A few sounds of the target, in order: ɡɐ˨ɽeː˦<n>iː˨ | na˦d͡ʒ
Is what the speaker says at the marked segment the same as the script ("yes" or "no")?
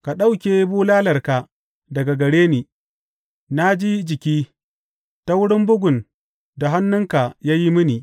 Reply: yes